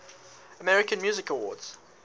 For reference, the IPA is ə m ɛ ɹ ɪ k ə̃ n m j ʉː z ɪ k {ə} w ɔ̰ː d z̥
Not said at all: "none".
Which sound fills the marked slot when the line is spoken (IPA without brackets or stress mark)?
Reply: ə